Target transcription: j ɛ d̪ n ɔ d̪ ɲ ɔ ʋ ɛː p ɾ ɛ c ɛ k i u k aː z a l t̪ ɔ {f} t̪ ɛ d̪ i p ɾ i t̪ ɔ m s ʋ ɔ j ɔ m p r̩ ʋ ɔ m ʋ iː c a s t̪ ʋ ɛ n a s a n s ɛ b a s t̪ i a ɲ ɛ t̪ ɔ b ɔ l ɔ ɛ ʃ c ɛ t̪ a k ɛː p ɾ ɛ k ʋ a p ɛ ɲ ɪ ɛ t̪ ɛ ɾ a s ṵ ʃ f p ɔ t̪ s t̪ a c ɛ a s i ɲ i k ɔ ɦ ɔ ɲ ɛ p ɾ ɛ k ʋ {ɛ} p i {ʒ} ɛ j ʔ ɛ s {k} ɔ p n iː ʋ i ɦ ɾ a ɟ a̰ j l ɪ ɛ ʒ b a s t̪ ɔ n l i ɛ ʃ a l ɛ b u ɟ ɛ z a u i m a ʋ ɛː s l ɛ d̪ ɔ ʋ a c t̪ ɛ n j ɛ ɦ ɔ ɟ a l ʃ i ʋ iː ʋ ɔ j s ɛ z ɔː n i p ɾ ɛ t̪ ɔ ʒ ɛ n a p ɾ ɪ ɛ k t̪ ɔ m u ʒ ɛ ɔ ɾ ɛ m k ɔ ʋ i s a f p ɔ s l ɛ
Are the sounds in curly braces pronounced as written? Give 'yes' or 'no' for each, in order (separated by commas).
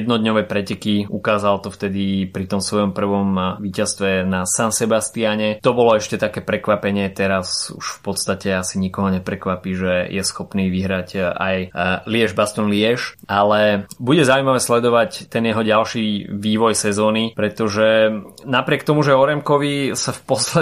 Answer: yes, no, yes, no